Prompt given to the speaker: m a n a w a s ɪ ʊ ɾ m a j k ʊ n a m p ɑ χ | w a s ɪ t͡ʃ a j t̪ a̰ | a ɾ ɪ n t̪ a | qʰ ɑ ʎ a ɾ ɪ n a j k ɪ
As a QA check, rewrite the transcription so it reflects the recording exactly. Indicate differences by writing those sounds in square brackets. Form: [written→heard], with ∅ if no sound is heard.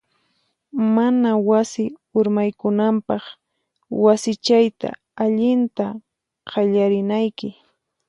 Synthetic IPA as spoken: m a n a w a s ɪ ʊ ɾ m a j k ʊ n a m p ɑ χ | w a s ɪ t͡ʃ a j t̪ a̰ | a [ɾ→ʎ] ɪ n t̪ a | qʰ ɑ ʎ a ɾ ɪ n a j k ɪ